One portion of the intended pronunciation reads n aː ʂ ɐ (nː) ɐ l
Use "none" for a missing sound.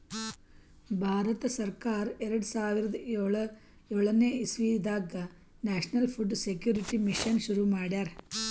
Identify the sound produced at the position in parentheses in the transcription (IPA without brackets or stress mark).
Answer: n